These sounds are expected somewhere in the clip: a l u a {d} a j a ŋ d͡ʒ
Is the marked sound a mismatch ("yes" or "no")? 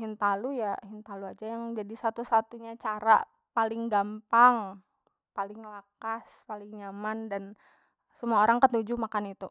yes